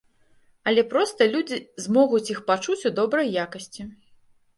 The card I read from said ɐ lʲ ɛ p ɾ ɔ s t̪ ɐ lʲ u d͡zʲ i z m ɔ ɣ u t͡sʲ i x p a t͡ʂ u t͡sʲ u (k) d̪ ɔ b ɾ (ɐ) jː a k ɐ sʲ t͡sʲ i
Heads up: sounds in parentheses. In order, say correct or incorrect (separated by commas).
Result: incorrect, correct